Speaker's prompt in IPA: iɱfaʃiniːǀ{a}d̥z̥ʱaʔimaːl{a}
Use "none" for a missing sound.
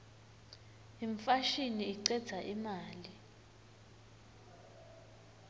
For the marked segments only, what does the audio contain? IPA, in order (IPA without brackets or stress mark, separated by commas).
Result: ɛ, i